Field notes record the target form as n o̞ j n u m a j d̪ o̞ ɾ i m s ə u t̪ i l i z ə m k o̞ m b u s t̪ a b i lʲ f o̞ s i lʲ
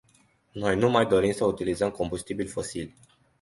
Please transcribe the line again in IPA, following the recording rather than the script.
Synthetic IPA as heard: n o̞ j n u m a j d̪ o̞ ɾ i m s ə u t̪ i l i z ə m k o̞ m b u s t̪ i b i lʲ f o̞ s i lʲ